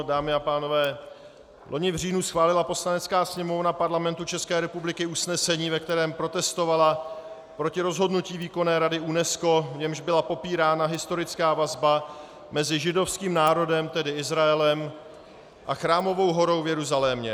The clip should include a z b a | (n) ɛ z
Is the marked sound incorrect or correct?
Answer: incorrect